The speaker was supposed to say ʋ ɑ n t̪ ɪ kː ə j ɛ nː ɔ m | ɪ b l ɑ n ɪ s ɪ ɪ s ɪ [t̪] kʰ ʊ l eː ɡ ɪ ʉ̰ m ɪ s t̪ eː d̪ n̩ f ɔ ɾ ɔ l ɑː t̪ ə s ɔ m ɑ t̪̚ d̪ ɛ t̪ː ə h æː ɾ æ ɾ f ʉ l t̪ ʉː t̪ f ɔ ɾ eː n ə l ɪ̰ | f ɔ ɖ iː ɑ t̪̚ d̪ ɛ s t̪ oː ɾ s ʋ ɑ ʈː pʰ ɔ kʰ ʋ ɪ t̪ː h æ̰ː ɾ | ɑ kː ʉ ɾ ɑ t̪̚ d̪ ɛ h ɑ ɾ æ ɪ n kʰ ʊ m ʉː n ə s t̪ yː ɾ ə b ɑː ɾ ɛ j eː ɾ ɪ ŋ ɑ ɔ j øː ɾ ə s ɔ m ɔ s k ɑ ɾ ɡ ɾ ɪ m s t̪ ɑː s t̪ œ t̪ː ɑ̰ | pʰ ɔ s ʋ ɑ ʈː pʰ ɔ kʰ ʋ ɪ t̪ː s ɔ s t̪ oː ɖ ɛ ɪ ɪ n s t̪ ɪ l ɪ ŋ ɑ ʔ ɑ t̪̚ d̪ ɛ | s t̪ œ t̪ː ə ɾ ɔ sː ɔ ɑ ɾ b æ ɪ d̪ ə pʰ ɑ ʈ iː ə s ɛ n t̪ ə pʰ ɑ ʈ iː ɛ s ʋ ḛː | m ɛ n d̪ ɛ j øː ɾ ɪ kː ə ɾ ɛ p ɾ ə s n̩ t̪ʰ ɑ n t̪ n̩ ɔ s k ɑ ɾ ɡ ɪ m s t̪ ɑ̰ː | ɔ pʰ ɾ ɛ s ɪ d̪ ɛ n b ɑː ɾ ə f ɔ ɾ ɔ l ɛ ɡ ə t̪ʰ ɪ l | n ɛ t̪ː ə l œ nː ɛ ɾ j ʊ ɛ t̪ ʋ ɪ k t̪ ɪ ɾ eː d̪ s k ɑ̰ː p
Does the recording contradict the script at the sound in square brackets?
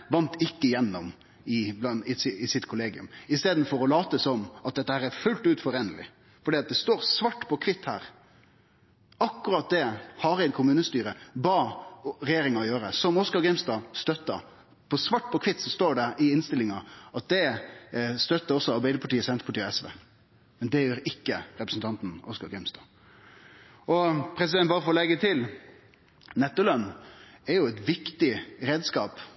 no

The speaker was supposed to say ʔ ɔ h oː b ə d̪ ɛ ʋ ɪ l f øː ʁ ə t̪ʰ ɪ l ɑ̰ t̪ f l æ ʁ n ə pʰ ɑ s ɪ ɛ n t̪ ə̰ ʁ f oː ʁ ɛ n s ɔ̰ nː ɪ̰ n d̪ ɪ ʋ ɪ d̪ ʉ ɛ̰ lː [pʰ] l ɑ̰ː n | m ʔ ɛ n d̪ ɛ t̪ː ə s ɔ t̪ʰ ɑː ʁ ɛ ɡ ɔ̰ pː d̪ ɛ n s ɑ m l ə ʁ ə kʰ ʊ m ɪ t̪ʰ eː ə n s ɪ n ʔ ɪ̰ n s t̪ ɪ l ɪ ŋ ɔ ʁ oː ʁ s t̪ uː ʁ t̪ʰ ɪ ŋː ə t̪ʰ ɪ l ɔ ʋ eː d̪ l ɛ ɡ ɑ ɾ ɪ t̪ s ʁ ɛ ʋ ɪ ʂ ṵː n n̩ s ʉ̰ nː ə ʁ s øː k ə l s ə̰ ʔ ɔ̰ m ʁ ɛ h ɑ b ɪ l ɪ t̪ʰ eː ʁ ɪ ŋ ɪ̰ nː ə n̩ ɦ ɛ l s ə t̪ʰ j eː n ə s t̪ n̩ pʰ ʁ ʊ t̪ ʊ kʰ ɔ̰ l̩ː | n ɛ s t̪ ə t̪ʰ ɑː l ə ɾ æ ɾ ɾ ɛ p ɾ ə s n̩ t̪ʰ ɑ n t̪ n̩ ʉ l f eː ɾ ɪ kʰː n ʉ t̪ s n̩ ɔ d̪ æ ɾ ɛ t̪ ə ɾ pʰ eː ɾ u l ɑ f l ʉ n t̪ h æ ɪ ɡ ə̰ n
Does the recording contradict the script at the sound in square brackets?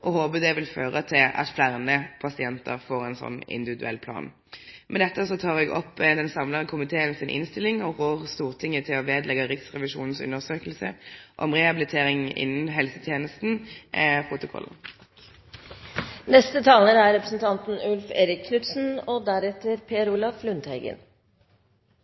no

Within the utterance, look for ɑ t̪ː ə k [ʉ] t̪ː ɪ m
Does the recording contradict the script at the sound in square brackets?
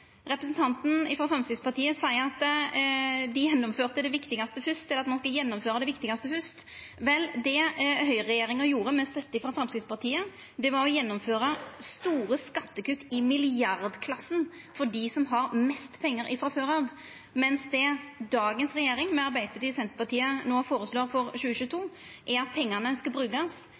no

